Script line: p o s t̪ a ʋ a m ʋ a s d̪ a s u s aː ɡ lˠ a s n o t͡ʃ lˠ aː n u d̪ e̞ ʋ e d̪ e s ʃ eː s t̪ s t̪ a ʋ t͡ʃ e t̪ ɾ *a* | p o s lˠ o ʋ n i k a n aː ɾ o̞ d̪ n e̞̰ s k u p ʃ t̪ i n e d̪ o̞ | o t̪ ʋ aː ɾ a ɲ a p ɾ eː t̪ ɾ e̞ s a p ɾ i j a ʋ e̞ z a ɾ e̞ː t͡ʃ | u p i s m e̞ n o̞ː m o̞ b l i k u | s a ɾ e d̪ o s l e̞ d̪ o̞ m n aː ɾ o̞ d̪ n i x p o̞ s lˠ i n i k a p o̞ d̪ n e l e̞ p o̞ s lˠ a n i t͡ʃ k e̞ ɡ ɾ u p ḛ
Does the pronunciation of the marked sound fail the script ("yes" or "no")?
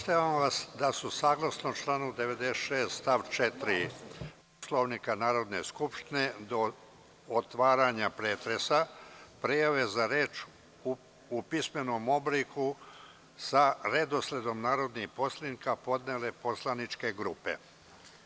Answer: yes